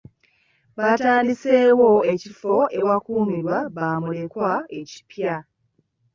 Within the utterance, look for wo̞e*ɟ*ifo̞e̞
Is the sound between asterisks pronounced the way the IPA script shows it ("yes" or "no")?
no